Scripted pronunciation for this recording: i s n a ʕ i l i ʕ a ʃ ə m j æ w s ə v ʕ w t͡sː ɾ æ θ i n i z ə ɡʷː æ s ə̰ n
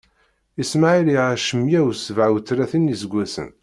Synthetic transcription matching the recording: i s m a ʕ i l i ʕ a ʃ ə m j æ w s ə v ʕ w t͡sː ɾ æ θ i n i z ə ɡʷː æ s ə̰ n

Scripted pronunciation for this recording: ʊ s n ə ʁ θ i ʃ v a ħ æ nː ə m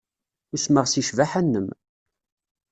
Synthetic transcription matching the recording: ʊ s m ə ʁ s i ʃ v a ħ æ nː ə m

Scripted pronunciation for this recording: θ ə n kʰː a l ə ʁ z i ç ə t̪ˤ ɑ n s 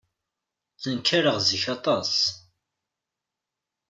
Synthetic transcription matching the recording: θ ə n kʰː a ɾ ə ʁ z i ç ɑ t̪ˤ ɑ s

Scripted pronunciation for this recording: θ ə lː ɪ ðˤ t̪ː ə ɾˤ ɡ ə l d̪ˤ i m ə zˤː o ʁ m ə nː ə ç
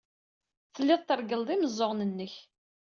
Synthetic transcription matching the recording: θ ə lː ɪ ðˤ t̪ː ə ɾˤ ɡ ə l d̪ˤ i m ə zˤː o ʁ n ə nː ə ç

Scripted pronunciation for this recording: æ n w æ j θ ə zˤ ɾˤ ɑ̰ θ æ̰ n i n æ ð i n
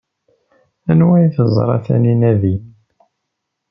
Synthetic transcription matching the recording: æ n w æ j θ ə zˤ ɾˤ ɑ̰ θ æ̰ n i n æ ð i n

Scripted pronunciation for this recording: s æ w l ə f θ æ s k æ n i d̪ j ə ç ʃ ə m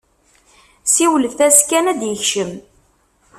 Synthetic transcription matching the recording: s i w l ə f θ æ s k æ n æ d̪ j ə ç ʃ ə m

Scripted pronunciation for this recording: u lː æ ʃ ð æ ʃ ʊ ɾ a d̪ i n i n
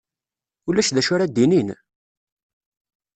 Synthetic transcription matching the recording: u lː æ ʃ ð æ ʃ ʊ ɾ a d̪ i n i n

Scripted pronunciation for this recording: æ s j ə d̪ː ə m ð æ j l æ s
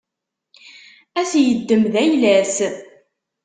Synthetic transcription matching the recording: æ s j ə d̪ː ə m ð æ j l æ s

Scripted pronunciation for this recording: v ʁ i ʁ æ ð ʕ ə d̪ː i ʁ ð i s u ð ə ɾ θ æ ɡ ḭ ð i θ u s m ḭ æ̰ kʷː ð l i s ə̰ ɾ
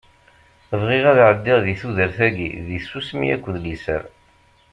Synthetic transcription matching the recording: v ʁ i ʁ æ ð ʕ ə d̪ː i ʁ ð i θ u ð ə ɾ θ æ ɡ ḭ ð i s u s m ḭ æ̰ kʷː ð l i s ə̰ ɾ

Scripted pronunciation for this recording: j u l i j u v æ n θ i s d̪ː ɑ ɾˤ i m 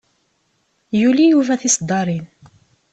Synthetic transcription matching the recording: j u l i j u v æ θ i s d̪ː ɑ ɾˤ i n

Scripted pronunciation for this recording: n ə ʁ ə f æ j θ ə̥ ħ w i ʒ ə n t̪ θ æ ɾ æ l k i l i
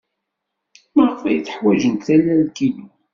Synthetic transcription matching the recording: m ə ʁ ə f æ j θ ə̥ ħ w æ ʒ ə n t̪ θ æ l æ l k i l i

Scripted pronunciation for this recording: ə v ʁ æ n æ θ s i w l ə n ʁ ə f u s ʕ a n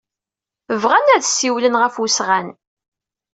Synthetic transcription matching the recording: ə v ʁ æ n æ ð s i w l ə n ʁ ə f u s ʁ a n

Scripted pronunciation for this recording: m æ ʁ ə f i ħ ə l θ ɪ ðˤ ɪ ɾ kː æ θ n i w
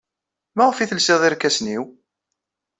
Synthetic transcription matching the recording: m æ ʁ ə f i θ ə l s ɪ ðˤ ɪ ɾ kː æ s n i w

